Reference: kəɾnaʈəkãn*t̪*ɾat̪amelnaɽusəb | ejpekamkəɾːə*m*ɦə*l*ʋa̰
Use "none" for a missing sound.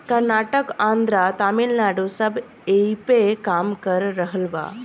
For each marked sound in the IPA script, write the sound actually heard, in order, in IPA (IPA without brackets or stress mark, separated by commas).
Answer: d̪, none, l